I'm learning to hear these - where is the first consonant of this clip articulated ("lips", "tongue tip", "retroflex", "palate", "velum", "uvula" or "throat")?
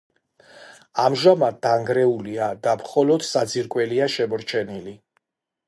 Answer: lips